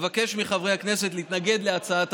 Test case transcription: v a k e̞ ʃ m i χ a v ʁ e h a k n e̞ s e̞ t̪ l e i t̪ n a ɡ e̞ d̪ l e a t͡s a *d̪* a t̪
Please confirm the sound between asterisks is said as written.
no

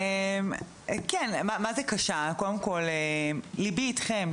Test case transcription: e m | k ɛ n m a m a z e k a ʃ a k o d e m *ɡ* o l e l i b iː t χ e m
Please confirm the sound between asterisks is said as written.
no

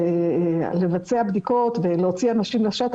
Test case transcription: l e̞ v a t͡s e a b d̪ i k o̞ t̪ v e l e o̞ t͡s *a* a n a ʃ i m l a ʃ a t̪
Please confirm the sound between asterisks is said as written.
no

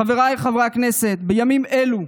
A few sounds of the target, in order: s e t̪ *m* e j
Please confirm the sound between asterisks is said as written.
no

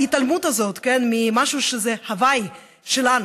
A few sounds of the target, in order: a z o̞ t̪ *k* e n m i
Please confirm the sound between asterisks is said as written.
yes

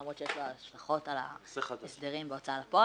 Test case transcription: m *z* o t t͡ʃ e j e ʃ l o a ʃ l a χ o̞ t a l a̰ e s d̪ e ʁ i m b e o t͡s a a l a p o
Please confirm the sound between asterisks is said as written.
no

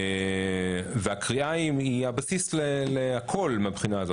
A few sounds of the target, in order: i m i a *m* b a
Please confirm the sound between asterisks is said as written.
no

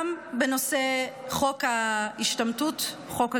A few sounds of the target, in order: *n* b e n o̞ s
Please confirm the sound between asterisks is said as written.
no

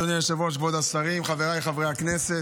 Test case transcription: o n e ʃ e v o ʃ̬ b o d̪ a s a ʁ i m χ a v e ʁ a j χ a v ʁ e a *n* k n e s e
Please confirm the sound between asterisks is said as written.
no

